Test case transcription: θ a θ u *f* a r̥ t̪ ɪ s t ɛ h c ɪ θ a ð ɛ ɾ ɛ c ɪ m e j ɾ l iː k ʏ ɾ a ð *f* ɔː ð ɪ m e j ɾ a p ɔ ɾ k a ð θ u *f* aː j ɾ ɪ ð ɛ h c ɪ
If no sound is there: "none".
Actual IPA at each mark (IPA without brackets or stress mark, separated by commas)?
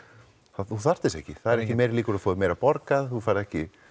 θ, f, f